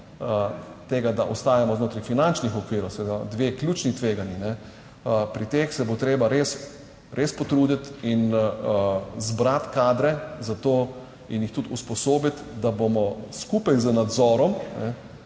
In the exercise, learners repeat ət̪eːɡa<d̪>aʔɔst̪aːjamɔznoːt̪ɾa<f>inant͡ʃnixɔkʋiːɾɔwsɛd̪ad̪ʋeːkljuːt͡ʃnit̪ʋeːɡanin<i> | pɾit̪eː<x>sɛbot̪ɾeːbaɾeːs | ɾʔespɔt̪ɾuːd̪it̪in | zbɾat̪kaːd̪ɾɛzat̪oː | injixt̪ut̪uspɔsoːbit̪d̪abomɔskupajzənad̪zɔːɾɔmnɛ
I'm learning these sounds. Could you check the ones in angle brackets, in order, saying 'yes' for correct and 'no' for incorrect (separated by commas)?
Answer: yes, yes, no, yes